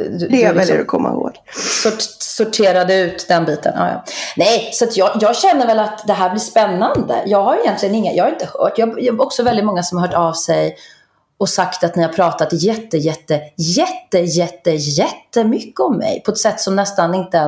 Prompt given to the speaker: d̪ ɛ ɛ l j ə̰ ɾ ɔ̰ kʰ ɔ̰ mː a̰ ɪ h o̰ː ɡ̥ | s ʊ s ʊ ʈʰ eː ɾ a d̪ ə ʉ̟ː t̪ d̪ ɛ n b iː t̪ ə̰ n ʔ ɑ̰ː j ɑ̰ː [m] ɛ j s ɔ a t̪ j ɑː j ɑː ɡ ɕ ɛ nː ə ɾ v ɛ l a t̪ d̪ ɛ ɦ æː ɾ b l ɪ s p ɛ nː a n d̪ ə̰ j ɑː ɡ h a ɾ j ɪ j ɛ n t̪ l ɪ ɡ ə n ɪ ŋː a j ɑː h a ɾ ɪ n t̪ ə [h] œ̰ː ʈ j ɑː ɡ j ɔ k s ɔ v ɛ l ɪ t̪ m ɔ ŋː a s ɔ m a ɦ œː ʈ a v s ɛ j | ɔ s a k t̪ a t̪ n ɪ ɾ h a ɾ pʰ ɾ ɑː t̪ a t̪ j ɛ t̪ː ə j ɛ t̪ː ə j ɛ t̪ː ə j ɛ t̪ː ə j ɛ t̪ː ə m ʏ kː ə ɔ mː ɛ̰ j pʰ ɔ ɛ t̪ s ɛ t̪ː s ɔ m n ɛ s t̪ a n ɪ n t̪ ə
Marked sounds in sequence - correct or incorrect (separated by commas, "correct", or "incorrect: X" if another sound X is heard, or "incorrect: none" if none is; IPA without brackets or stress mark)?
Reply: incorrect: n, correct